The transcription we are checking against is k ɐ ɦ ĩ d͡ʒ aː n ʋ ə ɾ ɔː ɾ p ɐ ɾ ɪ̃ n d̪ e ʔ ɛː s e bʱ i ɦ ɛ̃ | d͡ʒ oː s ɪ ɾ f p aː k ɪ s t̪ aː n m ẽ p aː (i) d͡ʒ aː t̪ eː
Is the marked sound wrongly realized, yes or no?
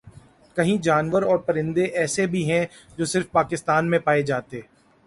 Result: yes